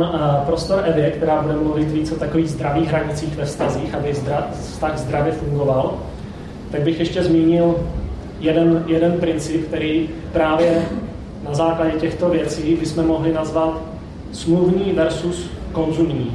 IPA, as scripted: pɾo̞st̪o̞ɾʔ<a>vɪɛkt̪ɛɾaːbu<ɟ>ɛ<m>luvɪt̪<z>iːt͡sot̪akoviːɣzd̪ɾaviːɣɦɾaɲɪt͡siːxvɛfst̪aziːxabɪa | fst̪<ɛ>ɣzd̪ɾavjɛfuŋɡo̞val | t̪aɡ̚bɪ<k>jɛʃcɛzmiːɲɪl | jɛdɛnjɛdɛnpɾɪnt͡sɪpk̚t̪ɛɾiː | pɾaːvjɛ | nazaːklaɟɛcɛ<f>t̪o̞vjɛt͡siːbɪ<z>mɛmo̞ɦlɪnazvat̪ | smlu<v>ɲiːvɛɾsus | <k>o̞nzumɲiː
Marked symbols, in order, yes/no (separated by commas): no, no, yes, no, no, no, no, no, yes, yes